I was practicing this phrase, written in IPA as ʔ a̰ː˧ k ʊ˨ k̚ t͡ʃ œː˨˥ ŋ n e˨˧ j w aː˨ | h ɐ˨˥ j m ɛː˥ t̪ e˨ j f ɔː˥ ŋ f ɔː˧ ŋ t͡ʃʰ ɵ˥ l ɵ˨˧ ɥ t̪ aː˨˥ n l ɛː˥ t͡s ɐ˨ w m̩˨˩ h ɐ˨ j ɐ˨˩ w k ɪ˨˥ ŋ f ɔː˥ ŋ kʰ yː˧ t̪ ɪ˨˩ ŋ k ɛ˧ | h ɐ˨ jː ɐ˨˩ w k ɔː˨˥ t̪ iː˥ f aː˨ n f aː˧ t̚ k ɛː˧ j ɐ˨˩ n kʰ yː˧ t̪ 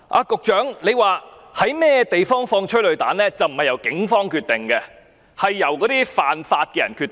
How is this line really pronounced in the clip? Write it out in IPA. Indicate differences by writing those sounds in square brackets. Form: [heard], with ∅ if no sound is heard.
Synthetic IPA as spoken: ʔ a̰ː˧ k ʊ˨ k̚ t͡ʃ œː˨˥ ŋ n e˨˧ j w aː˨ | h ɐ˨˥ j m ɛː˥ t̪ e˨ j f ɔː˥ ŋ f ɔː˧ ŋ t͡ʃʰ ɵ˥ l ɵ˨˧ ɥ t̪ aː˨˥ n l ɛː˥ t͡s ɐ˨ w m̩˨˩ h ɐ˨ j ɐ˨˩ w k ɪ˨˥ ŋ f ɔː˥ ŋ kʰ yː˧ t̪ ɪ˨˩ ŋ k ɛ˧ | h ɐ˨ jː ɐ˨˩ w k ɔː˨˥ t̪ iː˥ f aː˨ n f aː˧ t̚ k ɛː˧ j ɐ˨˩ n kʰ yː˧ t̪